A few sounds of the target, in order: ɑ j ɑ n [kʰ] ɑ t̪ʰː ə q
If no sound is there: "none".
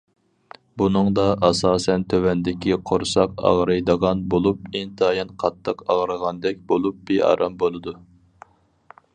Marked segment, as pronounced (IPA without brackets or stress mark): qʰ